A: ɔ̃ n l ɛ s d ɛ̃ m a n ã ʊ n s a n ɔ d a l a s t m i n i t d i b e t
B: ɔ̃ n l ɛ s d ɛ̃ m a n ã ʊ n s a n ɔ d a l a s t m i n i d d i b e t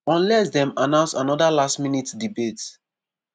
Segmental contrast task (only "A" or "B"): A